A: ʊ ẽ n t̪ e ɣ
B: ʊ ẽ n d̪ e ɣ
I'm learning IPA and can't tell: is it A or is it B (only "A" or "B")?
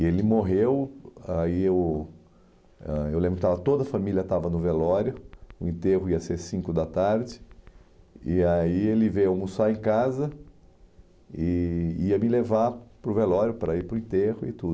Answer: A